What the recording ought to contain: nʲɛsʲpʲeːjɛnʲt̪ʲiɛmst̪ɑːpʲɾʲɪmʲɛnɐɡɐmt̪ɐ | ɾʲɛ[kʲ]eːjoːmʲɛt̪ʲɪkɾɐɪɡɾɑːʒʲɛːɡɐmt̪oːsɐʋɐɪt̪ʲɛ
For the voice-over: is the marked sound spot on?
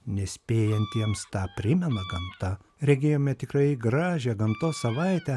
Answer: no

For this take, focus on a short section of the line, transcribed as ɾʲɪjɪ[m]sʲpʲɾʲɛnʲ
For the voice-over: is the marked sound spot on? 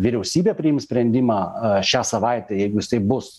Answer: yes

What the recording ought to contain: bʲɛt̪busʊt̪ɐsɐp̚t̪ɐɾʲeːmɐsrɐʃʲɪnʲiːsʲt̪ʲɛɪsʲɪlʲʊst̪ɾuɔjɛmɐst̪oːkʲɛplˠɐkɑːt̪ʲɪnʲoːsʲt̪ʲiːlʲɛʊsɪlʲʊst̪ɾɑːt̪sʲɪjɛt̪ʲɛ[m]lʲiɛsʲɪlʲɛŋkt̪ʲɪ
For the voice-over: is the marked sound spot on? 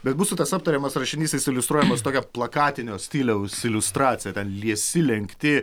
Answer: no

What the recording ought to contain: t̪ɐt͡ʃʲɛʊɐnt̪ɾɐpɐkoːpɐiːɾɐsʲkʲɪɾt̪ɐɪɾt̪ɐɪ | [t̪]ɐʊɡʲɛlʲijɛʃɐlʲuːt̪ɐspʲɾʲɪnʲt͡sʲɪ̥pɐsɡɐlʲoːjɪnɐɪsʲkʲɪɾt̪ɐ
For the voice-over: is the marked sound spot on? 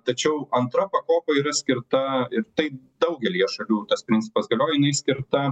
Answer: no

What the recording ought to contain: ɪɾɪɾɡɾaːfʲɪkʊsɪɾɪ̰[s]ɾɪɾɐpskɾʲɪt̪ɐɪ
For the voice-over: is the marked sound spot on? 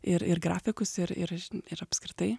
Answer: no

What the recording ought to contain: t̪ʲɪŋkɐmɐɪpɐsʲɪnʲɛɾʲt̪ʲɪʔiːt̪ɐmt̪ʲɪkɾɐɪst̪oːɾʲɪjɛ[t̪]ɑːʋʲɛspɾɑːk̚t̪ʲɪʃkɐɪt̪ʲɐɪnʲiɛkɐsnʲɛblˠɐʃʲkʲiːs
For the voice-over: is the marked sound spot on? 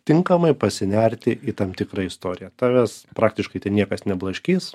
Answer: yes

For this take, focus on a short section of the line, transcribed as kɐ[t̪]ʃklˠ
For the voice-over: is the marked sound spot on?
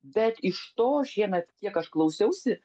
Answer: no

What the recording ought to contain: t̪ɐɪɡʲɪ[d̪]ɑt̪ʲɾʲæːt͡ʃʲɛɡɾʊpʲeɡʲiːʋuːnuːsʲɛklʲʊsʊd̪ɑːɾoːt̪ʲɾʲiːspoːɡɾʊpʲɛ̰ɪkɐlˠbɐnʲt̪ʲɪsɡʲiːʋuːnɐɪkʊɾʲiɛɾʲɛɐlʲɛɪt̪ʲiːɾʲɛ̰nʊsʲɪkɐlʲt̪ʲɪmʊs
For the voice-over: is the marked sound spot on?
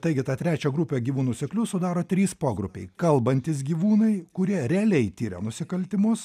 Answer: no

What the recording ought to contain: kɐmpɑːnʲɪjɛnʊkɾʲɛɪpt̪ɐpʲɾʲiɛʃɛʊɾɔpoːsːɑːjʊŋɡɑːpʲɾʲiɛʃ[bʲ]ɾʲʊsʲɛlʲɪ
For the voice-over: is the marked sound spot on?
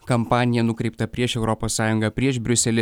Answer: yes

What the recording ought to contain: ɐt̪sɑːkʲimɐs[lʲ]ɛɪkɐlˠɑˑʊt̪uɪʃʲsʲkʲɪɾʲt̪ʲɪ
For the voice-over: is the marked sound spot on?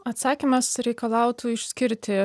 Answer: no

